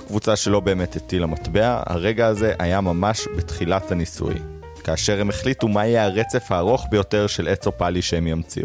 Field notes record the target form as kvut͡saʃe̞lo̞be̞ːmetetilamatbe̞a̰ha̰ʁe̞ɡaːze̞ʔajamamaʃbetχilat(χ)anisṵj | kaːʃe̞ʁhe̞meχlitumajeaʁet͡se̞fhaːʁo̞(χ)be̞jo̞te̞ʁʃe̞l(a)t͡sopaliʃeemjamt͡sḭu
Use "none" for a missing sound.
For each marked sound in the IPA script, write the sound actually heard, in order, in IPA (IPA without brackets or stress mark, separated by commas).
h, χ, e